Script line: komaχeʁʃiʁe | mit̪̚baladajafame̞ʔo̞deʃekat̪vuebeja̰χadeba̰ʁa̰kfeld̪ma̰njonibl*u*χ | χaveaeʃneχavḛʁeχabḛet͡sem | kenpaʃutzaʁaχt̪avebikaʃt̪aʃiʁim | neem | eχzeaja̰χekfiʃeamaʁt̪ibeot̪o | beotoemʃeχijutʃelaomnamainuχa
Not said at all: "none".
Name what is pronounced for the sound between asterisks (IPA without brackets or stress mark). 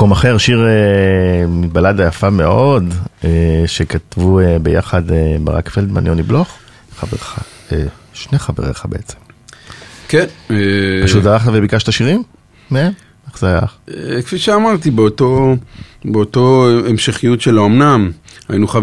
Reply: o